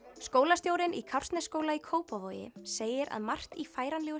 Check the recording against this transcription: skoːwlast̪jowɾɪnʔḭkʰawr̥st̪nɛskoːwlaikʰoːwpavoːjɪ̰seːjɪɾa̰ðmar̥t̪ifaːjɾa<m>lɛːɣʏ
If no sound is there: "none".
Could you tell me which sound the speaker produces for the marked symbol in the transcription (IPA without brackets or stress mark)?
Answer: n